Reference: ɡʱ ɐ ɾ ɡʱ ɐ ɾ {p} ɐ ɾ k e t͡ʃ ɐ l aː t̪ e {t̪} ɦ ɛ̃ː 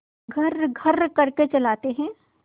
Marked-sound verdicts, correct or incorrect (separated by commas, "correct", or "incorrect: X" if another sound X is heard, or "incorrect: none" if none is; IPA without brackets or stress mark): incorrect: k, incorrect: none